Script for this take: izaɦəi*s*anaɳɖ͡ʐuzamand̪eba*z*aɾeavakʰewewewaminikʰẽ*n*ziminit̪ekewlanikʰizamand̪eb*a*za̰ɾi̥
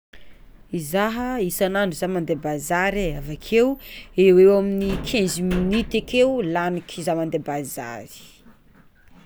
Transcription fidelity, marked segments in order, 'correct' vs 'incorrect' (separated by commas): correct, correct, correct, correct